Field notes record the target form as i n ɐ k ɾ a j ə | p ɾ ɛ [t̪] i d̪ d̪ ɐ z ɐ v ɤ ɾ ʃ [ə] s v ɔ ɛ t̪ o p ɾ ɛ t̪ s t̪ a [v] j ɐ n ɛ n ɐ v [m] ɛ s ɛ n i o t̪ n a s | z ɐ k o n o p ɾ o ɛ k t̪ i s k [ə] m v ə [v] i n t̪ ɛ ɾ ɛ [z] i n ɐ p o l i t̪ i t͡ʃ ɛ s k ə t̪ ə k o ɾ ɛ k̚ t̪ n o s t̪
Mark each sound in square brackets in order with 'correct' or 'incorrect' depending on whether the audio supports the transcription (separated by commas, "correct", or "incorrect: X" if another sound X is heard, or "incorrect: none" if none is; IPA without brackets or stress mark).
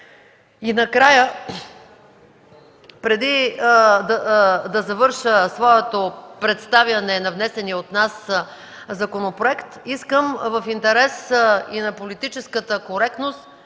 incorrect: d̪, correct, correct, incorrect: n, correct, incorrect: f, incorrect: s